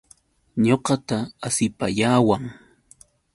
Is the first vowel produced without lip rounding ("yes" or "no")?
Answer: no